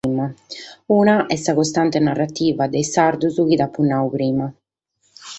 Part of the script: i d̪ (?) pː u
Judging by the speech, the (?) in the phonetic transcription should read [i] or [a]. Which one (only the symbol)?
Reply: a